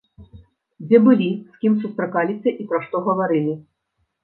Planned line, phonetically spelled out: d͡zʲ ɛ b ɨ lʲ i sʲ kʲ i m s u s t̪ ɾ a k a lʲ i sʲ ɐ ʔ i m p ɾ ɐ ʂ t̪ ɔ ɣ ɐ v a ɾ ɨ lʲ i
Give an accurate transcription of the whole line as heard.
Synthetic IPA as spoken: d͡zʲ ɛ b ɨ lʲ i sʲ kʲ i m s u s t̪ ɾ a k a lʲ i sʲ ɐ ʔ i p ɾ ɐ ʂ t̪ ɔ ɣ ɐ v a ɾ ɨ lʲ i